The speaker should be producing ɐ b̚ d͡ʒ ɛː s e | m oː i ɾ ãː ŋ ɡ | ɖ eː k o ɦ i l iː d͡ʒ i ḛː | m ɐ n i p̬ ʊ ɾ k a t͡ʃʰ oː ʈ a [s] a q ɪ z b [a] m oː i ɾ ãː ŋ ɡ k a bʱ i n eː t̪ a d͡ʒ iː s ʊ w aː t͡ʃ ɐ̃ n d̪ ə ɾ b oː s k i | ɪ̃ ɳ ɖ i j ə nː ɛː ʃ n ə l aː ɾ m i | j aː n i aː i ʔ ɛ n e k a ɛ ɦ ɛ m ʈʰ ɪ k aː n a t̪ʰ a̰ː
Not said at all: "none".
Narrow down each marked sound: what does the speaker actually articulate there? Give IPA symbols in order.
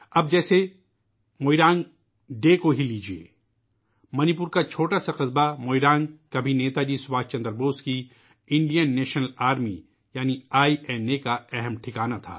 s, a

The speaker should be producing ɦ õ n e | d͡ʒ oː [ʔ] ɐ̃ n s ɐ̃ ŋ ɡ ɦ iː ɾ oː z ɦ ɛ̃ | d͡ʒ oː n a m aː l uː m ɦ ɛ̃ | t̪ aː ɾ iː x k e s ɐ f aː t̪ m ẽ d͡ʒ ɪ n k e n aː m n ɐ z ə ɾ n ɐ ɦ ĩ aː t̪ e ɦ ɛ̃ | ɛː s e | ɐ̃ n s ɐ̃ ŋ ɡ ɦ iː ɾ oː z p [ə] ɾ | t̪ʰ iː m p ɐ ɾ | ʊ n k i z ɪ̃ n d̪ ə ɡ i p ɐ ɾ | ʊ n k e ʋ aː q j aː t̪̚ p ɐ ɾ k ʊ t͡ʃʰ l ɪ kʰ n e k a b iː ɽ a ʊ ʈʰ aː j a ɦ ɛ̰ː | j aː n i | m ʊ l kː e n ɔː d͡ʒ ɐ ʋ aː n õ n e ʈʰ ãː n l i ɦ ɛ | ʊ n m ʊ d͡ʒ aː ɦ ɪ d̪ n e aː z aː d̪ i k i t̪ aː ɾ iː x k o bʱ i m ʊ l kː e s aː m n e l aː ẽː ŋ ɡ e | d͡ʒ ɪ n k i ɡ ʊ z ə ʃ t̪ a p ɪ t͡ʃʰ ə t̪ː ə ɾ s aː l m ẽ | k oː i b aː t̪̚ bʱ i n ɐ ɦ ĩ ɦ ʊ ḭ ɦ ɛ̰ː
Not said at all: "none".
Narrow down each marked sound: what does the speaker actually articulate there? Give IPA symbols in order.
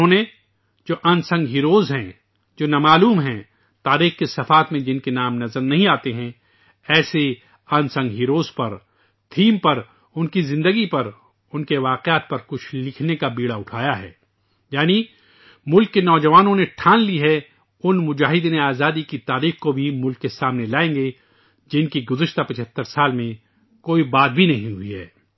ʔ, ɐ

